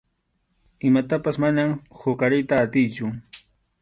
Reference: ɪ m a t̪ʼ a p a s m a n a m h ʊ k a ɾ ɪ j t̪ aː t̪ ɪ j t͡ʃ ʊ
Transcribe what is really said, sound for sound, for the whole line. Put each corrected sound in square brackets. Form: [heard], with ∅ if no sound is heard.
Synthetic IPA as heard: ɪ m a [t̪] a p a s m a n a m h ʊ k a ɾ ɪ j t̪ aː t̪ ɪ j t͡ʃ ʊ